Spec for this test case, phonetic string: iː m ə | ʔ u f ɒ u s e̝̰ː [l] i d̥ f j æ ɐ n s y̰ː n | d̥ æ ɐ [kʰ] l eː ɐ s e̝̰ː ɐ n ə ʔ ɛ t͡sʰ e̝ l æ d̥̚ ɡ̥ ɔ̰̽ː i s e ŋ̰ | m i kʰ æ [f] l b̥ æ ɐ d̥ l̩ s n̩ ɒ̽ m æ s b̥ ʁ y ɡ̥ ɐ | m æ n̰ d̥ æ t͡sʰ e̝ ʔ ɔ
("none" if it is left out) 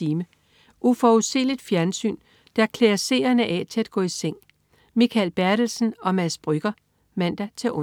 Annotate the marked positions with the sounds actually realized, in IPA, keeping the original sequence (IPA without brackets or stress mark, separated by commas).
l, kʰ, none